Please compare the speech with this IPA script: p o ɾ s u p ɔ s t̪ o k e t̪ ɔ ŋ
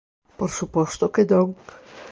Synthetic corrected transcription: p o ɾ s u p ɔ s t̪ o k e d̪ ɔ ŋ